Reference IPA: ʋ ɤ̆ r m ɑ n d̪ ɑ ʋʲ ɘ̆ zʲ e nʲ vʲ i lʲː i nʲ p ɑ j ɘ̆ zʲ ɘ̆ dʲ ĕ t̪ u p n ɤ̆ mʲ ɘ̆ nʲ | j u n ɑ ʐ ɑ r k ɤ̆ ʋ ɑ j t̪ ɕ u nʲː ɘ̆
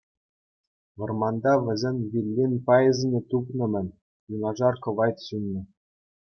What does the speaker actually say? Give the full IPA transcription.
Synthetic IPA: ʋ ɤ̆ r m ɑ n d̪ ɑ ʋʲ ɘ̆ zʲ e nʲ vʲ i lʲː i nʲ p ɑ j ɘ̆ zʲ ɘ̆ nʲ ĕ t̪ u p n ɤ̆ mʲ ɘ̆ nʲ | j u n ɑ ʐ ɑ r k ɤ̆ ʋ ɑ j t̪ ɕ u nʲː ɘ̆